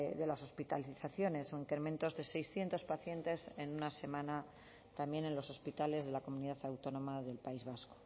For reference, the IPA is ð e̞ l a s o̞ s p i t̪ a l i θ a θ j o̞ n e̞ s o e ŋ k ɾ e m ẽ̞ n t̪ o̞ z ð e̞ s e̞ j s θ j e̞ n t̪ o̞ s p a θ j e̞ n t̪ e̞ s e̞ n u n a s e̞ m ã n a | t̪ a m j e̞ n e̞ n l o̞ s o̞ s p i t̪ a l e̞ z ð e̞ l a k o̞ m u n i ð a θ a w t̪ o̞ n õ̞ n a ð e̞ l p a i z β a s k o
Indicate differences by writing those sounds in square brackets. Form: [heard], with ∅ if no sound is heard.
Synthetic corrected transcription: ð e̞ l a s o̞ s p i t̪ a l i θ a θ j o̞ n e̞ s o [i] ŋ k ɾ e m ẽ̞ n t̪ o̞ z ð e̞ s e̞ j s θ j e̞ n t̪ o̞ s p a θ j e̞ n t̪ e̞ s e̞ n u n a s e̞ m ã n a | t̪ a m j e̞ n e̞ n l o̞ s o̞ s p i t̪ a l e̞ z ð e̞ l a k o̞ m u n i ð a θ a w t̪ o̞ n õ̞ [m] a ð e̞ l p a i z β a s k o